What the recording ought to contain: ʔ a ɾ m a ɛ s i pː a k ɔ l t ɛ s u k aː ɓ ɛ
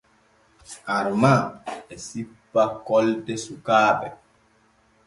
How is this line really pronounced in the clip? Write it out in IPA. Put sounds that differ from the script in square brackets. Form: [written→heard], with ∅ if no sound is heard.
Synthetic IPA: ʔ a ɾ m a ɛ s i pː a k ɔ l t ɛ s u k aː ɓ ɛ